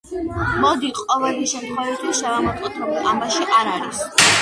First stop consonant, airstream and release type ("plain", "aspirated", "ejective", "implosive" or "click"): plain